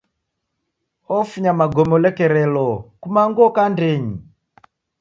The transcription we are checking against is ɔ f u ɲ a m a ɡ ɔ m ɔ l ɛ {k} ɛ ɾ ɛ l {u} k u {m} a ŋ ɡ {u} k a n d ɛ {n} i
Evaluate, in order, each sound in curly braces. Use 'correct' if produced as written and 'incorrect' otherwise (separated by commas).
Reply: correct, incorrect, correct, incorrect, incorrect